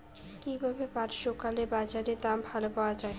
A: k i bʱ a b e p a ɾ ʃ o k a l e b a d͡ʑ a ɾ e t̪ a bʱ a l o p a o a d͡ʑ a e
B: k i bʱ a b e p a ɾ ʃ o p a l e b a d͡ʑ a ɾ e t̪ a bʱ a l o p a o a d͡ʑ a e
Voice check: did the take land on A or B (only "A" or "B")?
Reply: A